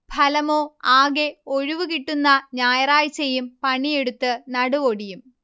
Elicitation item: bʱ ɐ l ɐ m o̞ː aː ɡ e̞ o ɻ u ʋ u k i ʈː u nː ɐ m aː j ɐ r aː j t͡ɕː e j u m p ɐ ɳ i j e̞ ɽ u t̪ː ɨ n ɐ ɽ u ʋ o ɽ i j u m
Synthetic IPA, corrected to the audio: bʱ ɐ l ɐ m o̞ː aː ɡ e̞ o ɻ u ʋ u k i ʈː u nː ɐ ɲ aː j ɐ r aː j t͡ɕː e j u m p ɐ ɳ i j e̞ ɽ u t̪ː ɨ n ɐ ɽ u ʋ o ɽ i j u m